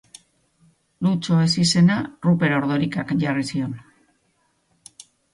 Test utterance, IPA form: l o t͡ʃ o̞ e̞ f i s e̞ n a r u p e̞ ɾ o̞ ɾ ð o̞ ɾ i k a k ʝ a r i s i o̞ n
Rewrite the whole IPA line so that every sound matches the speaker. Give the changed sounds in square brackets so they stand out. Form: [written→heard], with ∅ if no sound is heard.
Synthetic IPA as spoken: l [o→u] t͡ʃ o̞ e̞ [f→s] i s e̞ n a r u p e̞ ɾ o̞ ɾ ð o̞ ɾ i k a k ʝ a r i s i o̞ n